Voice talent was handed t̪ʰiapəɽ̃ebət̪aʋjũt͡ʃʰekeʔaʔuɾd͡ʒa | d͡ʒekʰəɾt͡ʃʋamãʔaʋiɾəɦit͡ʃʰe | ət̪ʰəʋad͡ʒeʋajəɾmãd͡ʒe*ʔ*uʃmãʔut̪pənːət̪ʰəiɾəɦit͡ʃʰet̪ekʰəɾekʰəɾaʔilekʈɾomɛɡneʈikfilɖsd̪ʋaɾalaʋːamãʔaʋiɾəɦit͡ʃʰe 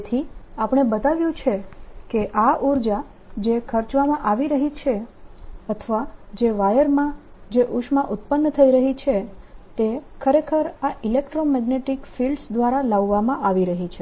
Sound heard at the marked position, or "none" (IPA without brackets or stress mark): ʔ